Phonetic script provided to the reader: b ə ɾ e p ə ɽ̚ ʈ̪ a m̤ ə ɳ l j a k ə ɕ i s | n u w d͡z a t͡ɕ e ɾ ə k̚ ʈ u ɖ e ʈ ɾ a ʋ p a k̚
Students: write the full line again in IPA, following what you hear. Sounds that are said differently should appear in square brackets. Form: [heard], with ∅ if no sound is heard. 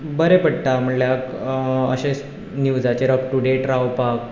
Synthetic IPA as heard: b ə ɾ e p ə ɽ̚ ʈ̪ a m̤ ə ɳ l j a k ə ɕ [e] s | n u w d͡z a t͡ɕ e ɾ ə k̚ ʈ u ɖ e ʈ ɾ a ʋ p a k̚